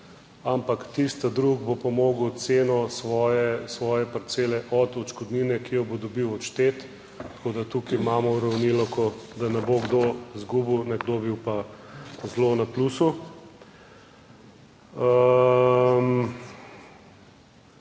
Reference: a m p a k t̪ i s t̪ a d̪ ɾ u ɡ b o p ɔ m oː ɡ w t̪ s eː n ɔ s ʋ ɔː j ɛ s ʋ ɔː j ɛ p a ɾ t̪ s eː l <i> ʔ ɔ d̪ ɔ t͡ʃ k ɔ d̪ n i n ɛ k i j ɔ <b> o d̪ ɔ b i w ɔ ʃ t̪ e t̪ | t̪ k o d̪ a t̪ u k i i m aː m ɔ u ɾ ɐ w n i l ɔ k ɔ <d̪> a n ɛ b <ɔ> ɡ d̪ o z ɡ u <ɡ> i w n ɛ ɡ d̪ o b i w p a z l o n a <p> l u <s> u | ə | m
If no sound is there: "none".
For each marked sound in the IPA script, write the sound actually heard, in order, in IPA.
ɛ, b, d̪, o, b, p, s

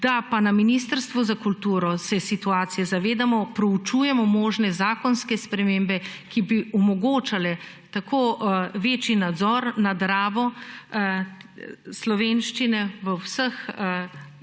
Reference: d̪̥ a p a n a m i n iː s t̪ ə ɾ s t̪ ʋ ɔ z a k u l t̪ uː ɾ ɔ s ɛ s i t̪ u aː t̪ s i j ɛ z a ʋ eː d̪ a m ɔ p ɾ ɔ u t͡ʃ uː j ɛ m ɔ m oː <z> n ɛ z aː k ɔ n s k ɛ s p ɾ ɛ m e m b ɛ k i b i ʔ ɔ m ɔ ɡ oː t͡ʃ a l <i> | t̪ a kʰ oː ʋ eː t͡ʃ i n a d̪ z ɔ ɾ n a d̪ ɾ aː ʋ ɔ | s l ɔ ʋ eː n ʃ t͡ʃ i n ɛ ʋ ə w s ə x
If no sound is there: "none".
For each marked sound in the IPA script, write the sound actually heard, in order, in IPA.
ʒ, ɛ

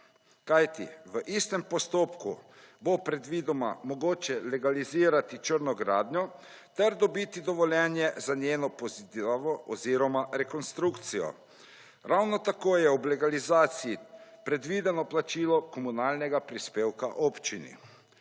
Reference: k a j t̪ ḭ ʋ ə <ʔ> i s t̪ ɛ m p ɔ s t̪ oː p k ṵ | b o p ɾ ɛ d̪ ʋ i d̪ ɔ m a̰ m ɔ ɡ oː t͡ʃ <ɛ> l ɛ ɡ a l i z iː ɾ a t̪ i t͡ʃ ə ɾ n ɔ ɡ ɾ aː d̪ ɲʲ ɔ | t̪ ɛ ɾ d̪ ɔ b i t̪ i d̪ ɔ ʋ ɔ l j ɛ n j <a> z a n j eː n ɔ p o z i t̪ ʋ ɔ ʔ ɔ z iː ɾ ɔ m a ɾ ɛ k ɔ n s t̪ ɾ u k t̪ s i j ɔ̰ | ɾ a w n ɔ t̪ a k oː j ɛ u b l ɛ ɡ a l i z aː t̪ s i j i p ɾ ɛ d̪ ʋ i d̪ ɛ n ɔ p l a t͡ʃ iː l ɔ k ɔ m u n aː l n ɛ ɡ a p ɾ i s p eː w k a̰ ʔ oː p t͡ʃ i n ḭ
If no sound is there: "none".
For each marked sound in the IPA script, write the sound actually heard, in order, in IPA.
ʔ, ɛ, ɛ

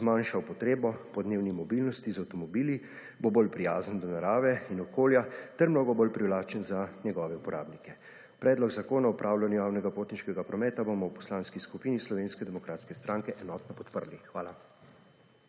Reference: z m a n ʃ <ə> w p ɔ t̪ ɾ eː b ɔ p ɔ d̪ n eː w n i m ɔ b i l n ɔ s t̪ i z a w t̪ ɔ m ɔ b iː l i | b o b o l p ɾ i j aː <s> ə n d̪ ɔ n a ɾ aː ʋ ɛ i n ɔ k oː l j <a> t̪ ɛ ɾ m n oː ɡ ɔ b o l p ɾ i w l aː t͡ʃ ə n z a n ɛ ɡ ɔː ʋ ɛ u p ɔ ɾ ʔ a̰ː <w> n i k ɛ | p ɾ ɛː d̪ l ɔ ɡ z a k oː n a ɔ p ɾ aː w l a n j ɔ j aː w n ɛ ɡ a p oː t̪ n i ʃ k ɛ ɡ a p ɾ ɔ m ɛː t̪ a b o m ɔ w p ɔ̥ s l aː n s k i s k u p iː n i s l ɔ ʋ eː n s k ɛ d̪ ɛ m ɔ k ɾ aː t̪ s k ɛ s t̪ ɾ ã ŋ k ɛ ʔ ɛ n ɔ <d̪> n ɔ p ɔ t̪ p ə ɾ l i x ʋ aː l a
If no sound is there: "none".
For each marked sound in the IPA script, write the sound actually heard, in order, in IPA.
a, z, a, b, t̪

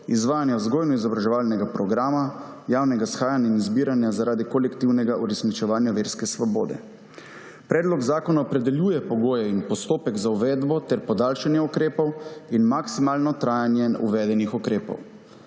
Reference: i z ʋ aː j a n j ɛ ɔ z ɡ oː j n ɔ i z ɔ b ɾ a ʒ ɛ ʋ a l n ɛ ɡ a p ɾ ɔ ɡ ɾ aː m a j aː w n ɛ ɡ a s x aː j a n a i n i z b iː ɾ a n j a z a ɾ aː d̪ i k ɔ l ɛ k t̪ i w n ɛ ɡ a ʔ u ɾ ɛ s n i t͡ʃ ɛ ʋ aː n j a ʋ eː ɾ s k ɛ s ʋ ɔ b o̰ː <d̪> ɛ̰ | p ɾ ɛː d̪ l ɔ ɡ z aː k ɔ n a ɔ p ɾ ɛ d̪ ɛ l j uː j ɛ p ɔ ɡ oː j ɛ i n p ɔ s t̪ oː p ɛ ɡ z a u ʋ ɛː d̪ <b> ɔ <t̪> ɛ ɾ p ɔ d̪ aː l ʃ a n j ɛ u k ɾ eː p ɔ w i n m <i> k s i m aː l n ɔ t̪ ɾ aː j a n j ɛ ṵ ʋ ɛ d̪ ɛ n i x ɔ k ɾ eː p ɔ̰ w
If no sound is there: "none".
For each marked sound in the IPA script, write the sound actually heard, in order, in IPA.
d̪, b, t̪, a

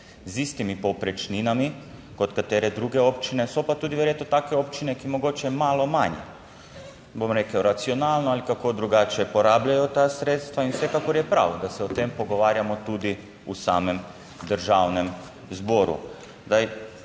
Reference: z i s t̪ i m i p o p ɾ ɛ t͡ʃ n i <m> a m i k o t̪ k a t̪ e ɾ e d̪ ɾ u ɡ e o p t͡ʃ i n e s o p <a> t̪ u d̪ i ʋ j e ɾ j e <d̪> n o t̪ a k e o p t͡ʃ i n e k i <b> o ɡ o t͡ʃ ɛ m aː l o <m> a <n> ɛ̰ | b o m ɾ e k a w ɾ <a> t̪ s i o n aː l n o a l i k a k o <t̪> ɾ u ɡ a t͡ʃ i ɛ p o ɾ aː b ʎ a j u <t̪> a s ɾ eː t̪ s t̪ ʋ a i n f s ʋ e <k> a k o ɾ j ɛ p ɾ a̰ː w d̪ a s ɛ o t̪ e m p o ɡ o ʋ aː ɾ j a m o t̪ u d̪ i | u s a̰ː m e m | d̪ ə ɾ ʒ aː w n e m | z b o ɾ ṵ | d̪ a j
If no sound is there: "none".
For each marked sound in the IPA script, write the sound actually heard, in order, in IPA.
n, a, t̪, m, m, ɲ, a, d̪, t̪, k

